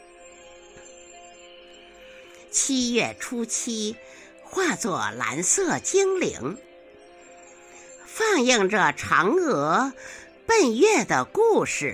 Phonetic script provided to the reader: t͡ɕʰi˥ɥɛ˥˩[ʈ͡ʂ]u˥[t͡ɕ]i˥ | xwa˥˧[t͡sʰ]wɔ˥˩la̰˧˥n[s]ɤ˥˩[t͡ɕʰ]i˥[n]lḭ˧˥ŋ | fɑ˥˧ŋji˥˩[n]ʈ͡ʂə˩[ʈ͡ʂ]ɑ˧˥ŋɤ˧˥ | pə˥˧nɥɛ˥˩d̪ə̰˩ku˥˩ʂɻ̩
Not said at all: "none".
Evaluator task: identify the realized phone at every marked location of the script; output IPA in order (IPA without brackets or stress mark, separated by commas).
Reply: ʈ͡ʂʰ, t͡ɕʰ, t͡s, s, t͡ɕ, ŋ, ŋ, ʈ͡ʂʰ